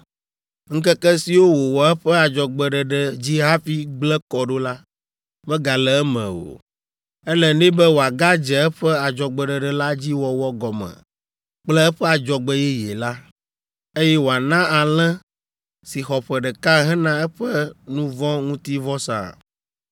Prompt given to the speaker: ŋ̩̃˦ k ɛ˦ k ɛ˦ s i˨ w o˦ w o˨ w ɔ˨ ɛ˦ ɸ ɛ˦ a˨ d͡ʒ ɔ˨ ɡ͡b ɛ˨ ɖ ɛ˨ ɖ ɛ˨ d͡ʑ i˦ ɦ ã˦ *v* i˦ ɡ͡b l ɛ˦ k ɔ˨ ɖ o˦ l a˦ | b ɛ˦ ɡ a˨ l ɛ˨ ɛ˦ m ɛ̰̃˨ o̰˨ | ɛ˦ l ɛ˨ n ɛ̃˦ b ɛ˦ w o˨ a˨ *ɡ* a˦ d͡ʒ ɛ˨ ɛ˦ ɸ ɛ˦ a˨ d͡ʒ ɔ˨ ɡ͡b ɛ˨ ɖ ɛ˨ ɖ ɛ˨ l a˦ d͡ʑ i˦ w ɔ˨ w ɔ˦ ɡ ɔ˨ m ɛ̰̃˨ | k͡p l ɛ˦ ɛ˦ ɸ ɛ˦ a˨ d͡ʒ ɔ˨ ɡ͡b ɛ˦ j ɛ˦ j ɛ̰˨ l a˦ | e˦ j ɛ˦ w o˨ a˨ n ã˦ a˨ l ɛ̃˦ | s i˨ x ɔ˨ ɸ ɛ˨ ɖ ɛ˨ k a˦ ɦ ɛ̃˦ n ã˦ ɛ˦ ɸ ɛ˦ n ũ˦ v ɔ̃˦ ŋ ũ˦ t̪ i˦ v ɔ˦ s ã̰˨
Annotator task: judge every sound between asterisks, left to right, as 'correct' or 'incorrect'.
incorrect: f, correct

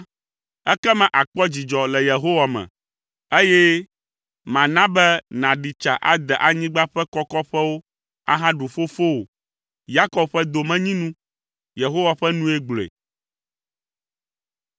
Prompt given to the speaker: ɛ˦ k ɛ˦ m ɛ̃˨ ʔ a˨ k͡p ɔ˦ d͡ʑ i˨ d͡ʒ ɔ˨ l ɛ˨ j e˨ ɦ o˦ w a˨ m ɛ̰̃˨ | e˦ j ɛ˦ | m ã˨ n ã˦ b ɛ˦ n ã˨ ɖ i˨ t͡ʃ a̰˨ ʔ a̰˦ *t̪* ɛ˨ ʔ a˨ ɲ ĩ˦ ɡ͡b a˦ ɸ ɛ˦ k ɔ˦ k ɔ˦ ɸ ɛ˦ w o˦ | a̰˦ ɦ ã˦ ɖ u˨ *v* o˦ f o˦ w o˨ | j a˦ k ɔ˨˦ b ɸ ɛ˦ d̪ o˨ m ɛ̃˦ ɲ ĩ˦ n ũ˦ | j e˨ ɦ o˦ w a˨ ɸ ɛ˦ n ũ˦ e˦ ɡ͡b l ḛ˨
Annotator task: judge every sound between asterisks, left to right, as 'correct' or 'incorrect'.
incorrect: d̪, incorrect: f

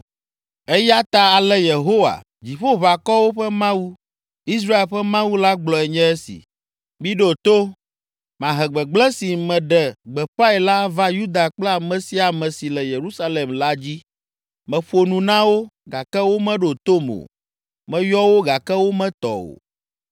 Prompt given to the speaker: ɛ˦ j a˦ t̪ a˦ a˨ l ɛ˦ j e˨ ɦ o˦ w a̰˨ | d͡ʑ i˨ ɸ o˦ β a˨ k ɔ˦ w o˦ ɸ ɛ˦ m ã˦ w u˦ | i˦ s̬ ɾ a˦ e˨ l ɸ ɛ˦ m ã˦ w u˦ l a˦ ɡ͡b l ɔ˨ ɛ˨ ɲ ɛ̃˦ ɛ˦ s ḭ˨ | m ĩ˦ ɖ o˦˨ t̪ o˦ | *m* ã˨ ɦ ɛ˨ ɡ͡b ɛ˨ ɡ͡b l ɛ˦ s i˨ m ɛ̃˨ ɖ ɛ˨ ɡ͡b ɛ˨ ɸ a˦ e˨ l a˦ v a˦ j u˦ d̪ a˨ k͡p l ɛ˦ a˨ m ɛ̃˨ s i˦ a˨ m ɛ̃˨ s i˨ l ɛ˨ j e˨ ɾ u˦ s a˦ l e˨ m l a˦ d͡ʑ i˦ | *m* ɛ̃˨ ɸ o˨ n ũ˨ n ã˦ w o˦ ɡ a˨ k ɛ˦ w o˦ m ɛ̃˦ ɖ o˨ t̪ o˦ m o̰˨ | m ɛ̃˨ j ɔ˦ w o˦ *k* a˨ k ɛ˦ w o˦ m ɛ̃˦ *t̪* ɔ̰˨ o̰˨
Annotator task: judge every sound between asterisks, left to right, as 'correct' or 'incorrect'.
correct, correct, incorrect: ɡ, correct

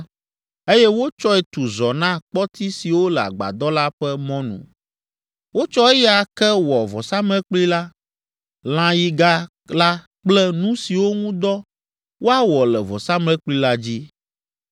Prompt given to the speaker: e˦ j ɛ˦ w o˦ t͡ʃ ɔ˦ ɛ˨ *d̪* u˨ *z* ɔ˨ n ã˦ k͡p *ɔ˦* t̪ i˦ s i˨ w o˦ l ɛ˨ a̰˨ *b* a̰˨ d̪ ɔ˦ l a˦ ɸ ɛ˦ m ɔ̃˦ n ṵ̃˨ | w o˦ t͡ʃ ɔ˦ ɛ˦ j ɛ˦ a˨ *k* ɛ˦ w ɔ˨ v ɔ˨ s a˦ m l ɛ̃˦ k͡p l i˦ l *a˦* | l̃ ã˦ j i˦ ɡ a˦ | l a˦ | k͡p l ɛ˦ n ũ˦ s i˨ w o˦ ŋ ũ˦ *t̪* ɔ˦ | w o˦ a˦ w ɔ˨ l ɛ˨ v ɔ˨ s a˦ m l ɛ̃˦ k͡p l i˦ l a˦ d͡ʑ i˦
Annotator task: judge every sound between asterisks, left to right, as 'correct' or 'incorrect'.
incorrect: t̪, correct, correct, incorrect: ɡ͡b, correct, correct, incorrect: d̪

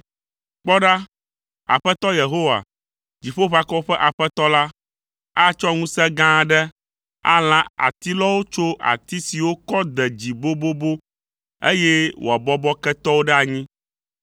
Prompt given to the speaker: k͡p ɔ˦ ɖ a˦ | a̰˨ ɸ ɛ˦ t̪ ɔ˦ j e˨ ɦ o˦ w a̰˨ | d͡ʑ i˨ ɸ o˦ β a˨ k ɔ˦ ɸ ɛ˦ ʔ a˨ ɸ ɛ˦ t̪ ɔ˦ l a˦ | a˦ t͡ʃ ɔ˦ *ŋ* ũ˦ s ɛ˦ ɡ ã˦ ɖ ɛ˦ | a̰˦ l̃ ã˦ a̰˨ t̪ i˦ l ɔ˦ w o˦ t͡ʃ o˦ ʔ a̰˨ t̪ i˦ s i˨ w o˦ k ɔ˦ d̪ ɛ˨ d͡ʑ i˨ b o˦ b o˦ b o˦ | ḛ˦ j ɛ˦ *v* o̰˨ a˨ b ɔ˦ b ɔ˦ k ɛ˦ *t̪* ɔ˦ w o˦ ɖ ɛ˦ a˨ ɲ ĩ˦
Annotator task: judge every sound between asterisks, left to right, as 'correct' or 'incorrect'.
correct, incorrect: w, correct

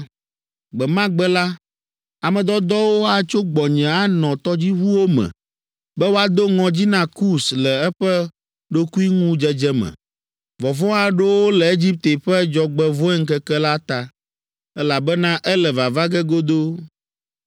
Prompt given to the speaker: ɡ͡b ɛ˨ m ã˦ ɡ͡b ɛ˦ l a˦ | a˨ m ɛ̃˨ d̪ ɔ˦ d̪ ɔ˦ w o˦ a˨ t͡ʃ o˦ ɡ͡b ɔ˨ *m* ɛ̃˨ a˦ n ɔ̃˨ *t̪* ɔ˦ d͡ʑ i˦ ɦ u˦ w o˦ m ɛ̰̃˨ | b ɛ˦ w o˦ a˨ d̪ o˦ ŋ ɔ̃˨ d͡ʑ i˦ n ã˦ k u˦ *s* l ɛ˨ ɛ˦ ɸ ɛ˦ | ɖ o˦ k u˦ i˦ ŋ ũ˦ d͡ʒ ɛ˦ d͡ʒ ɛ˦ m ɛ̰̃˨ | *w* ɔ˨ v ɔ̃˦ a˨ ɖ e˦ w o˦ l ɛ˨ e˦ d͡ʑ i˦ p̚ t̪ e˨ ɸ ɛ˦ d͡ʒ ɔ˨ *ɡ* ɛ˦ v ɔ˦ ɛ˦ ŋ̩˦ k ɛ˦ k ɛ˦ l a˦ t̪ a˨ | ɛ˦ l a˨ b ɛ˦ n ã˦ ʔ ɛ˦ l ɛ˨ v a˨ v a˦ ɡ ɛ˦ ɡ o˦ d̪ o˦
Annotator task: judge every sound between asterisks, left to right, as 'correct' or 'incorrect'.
incorrect: ɲ, correct, correct, incorrect: v, incorrect: ɡ͡b

